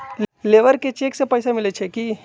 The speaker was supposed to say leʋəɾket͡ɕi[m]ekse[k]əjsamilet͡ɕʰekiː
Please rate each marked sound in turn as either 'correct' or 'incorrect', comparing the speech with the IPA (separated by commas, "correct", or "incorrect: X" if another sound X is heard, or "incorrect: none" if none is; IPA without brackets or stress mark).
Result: incorrect: none, incorrect: p